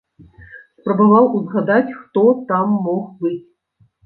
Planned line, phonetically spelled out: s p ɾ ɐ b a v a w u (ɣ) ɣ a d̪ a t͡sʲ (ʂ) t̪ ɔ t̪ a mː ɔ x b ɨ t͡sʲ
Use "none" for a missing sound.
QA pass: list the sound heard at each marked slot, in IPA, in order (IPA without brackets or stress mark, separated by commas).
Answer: z, x